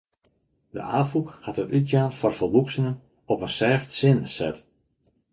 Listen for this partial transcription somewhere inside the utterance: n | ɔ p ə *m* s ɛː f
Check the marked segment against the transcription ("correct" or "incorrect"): incorrect